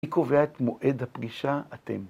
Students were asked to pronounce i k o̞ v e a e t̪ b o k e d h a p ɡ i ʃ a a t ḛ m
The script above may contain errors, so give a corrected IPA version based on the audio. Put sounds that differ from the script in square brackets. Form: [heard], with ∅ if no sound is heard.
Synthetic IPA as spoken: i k o̞ v e a e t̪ [m] o [ʔ] e d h a p ɡ i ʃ a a t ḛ m